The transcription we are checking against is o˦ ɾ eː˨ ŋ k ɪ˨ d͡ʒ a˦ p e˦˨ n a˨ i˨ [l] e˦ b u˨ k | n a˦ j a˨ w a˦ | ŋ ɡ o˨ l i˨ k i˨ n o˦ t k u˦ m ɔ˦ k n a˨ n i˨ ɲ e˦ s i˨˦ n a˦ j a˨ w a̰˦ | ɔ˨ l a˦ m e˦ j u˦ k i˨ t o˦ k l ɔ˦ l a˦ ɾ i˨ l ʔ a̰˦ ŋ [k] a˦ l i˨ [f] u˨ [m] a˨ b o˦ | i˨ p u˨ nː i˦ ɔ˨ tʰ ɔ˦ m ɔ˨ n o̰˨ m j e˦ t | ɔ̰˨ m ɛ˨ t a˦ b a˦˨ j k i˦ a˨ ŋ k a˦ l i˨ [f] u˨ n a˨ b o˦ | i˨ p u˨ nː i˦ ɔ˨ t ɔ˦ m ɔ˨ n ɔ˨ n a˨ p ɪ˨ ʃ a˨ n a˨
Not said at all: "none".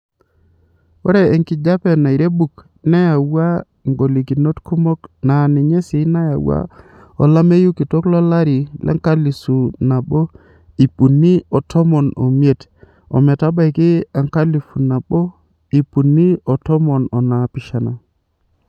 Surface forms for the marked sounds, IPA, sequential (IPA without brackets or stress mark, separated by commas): ɾ, k, s, n, f